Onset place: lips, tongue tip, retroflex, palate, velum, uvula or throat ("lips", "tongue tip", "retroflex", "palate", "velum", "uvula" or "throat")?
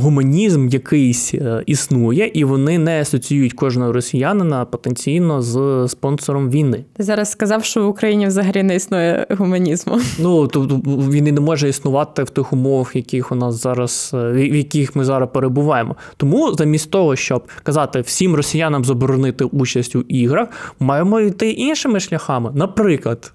throat